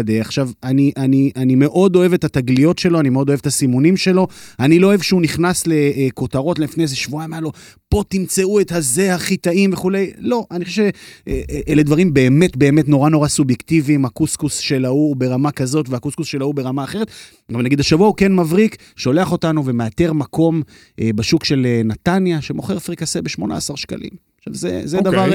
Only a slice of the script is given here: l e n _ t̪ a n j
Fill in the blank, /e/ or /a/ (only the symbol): a